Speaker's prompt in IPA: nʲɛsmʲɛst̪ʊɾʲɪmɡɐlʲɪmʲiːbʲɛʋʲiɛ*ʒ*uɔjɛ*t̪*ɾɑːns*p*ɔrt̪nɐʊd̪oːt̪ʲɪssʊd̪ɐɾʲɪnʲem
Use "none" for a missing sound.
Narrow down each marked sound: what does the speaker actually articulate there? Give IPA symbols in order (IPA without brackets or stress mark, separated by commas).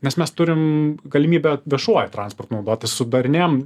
ʃ, t̪, p